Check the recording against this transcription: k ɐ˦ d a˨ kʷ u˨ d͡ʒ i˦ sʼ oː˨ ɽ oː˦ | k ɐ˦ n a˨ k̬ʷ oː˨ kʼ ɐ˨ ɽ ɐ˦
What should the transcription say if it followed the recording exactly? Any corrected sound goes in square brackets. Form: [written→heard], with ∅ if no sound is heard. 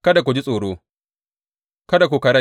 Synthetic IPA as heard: k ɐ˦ d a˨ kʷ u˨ d͡ʒ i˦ sʼ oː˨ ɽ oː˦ | k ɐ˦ [n→d] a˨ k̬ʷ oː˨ [kʼ→k] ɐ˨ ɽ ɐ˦